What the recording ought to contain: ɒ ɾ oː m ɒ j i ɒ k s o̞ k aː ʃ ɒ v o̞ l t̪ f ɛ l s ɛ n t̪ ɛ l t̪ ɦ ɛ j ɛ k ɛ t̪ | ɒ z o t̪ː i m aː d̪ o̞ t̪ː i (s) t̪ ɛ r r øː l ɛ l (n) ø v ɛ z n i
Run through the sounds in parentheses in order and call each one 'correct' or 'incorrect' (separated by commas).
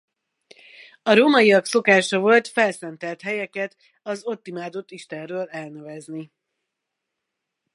incorrect, correct